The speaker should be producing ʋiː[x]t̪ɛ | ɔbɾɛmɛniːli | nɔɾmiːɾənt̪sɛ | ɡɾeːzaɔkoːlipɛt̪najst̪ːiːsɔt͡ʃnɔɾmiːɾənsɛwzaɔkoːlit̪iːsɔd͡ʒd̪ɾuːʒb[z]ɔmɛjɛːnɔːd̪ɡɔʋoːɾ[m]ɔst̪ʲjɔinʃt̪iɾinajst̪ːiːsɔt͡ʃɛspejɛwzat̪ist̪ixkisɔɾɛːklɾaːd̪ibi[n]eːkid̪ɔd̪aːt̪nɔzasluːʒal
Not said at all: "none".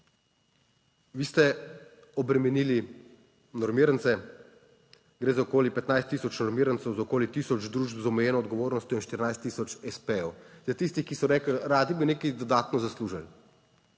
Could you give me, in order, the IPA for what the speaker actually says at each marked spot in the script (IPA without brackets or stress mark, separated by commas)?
s, z, n, n